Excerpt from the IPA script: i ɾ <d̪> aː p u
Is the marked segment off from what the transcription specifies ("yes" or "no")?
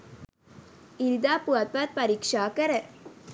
no